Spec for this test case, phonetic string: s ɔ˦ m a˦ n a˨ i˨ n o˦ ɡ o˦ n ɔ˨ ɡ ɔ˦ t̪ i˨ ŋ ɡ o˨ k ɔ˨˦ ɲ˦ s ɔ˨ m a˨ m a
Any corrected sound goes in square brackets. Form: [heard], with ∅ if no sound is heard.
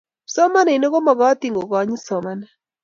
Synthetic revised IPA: s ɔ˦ m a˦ n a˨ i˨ n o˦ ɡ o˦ [m] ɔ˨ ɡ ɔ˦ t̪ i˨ ŋ ɡ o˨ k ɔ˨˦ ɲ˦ s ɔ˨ m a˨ [n] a